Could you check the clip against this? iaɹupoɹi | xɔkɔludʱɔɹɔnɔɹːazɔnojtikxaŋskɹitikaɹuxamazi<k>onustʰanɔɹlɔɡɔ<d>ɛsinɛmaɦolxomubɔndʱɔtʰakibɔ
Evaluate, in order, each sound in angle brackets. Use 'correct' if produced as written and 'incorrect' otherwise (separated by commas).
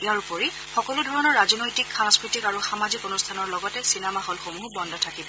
correct, incorrect